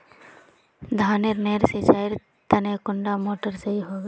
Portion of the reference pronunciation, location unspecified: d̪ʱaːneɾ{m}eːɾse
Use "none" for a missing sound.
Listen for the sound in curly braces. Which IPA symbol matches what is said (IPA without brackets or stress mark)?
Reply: n